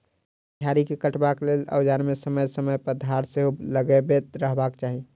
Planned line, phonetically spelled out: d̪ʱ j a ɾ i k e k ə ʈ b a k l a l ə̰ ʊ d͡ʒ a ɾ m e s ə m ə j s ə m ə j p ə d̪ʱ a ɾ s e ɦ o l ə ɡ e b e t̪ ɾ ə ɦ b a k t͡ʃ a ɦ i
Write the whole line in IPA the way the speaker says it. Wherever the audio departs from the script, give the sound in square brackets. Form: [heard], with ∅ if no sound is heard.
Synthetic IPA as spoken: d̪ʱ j a ɾ i k e k ə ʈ b a k l [e] l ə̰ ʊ d͡ʒ a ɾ m e s ə m ə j s ə m ə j p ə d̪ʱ a ɾ s e ɦ o l ə ɡ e b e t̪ ɾ ə ɦ b a k t͡ʃ a ɦ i